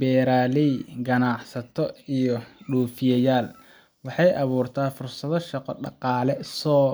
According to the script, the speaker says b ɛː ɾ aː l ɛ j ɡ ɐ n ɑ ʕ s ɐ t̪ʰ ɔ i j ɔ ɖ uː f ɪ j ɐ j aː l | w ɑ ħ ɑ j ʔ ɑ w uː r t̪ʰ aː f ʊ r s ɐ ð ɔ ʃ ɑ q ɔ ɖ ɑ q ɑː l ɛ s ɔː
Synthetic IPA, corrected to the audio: b ɛː ɾ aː l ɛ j ɡ ɐ n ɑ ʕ s ɐ t̪ʰ ɔ i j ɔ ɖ uː f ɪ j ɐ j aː l | w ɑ ħ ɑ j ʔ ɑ β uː r t̪ʰ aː f ʊ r s ɐ ð ɔ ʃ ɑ q ɔ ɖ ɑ q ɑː l ɛ s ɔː